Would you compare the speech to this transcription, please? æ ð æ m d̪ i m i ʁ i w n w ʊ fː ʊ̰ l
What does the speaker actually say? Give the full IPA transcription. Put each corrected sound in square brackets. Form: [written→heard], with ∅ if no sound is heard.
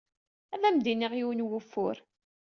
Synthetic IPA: æ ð æ m d̪ i [m→n] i ʁ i w n w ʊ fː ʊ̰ [l→ɾ]